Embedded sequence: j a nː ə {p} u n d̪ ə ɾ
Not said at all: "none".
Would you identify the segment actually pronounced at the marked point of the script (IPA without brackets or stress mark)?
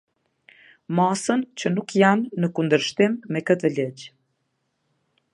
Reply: k